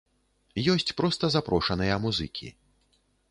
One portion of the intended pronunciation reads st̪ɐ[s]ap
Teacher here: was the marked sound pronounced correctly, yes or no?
no